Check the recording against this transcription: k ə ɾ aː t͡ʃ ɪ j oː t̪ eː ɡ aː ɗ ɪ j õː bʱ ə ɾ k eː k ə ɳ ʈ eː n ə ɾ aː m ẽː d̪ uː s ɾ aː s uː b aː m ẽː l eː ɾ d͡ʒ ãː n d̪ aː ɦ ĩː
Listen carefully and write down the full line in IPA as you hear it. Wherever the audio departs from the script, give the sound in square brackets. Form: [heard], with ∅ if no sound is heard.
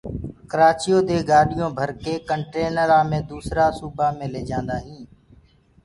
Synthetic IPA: k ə ɾ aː t͡ʃ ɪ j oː [d̪] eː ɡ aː ɗ ɪ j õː bʱ ə ɾ k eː k ə ɳ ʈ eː n ə ɾ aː m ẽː d̪ uː s ɾ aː s uː b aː m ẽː l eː [∅] d͡ʒ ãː n d̪ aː ɦ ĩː